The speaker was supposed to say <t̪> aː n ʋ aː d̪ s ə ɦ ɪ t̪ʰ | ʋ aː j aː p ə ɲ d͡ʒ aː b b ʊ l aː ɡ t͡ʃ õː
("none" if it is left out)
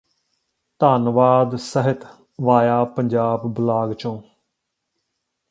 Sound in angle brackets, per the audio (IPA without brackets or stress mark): t̪